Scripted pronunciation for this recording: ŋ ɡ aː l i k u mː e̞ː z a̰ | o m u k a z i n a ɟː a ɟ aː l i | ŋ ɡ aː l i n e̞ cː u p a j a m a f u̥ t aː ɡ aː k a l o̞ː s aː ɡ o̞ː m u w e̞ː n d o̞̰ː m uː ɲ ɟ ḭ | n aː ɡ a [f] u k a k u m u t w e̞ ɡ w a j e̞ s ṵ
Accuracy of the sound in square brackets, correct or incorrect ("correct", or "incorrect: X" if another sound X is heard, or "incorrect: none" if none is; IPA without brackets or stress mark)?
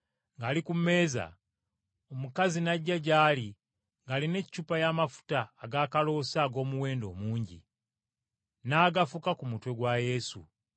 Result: correct